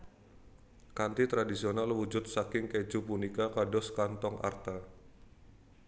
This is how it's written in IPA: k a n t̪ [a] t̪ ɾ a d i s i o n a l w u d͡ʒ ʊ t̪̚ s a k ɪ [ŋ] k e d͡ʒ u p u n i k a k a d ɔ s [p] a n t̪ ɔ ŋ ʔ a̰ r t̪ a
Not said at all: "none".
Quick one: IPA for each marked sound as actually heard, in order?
i, ŋ, k

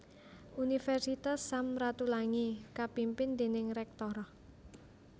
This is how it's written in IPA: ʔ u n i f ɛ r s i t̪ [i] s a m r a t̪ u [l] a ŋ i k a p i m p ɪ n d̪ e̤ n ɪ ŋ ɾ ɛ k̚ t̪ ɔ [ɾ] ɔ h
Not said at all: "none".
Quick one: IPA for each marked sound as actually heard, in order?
a, l, ɾ

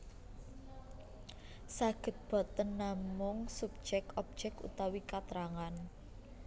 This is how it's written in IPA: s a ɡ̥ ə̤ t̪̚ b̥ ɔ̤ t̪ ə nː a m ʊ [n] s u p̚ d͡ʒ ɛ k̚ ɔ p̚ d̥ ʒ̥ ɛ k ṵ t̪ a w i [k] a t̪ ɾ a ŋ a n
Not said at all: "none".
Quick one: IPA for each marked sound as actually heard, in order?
ŋ, k

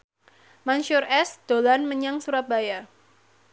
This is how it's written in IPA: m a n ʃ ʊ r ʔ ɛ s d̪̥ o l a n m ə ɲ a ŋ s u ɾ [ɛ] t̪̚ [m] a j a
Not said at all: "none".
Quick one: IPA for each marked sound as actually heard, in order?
a, b

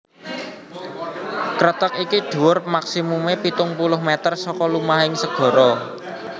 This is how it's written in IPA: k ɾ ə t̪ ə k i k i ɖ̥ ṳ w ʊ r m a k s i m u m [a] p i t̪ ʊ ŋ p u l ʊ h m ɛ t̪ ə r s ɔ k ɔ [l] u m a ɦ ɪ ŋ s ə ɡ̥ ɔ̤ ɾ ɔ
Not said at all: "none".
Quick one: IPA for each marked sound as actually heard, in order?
e, l

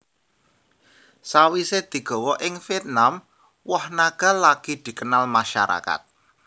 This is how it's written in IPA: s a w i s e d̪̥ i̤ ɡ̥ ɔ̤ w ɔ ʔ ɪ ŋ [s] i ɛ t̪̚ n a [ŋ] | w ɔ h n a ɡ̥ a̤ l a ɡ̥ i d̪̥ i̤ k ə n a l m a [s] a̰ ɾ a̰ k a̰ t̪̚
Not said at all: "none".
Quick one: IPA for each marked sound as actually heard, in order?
f, m, ʃ

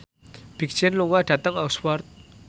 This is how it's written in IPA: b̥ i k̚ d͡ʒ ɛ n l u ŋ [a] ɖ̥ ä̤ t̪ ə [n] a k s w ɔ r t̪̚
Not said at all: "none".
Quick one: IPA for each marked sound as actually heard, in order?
a, ŋ

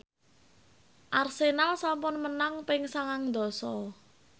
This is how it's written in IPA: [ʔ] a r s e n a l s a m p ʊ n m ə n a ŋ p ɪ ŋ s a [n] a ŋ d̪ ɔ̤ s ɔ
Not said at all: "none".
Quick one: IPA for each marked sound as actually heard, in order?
ʔ, ŋ

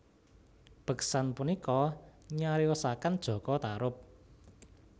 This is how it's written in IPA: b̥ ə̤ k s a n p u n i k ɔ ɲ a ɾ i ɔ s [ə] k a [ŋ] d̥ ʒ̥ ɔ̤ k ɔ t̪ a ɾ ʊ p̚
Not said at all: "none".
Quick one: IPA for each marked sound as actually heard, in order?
a, n

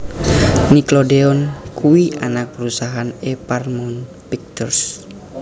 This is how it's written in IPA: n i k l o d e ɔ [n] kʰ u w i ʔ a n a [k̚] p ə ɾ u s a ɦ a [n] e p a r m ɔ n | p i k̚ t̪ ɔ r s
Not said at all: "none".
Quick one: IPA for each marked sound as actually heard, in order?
n, k̚, n

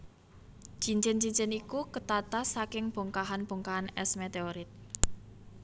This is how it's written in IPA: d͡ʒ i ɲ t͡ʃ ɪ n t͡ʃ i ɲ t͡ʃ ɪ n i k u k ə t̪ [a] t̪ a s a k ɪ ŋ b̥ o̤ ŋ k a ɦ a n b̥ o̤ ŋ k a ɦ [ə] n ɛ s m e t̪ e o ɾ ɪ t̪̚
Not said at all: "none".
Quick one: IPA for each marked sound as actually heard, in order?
a, a

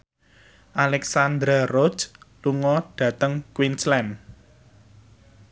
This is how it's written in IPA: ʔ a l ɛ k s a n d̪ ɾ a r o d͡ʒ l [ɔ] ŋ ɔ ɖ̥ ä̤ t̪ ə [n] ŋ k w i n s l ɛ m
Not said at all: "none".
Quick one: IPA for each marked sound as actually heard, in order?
u, none

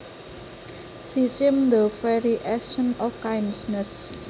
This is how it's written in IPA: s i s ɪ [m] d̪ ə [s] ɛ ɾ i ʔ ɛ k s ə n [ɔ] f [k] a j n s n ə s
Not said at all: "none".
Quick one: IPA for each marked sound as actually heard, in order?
m, f, ɔ, k

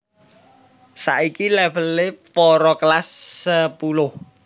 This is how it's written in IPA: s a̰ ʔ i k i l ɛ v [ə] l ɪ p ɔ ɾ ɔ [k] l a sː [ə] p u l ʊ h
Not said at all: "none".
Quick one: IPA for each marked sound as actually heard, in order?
ə, k, ə

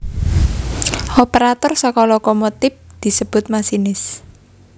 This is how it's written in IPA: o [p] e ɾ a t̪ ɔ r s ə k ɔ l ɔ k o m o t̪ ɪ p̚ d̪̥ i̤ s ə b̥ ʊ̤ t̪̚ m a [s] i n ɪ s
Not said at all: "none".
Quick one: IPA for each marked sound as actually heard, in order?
p, s

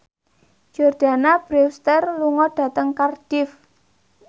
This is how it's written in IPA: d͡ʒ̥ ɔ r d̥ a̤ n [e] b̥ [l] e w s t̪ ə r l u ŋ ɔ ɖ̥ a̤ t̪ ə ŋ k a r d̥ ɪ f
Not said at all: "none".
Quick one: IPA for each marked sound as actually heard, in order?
a, ɾ

